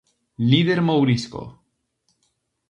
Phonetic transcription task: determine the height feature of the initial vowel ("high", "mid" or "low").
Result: high